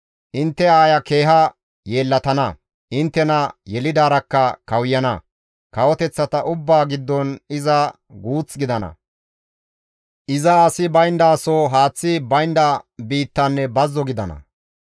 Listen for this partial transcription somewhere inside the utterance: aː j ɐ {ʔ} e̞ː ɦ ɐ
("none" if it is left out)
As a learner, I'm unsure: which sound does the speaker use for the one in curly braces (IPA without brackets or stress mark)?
k